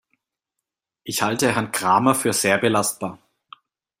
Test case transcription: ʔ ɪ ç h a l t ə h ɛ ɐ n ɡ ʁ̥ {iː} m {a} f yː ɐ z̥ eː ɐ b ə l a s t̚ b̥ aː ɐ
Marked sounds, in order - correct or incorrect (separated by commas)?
incorrect, incorrect